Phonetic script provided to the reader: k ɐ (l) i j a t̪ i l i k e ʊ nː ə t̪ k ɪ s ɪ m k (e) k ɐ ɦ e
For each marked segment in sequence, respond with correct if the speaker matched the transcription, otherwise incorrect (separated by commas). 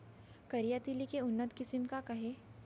incorrect, incorrect